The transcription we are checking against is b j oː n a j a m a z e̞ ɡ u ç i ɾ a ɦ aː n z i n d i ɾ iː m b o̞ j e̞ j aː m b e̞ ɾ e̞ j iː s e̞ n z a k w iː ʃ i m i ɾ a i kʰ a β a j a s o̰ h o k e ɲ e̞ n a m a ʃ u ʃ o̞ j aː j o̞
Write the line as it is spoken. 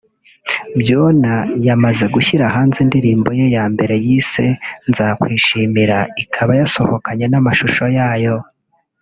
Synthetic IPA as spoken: b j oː n a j a m a z e̞ ɡ u ç i ɾ a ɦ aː n z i n d i ɾ iː m b o̞ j e̞ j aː m b e̞ ɾ e̞ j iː s e̞ n z a k w iː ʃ i m i ɾ a i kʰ a β a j a s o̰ h o k a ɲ e̞ n a m a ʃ u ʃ o̞ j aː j o̞